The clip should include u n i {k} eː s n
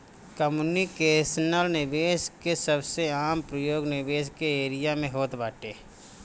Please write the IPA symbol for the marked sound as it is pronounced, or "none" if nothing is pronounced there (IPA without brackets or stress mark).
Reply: k